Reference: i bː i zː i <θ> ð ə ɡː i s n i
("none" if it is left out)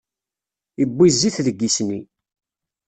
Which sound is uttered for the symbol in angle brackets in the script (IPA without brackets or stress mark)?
θ